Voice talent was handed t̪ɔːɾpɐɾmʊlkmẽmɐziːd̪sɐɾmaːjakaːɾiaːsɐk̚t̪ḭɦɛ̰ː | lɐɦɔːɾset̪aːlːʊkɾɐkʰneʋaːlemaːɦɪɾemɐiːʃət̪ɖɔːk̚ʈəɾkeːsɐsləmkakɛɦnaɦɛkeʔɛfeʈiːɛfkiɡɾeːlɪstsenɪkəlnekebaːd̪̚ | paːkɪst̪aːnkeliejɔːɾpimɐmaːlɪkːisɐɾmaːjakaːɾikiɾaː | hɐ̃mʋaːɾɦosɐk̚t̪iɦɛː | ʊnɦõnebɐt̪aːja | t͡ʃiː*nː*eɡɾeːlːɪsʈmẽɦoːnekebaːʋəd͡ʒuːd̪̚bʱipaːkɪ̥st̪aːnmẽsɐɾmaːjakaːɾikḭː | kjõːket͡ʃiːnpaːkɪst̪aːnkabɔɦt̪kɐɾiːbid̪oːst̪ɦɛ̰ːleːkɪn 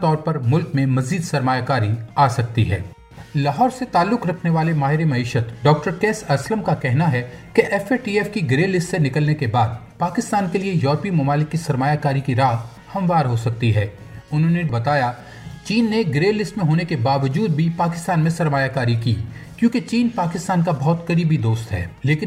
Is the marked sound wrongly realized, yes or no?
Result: no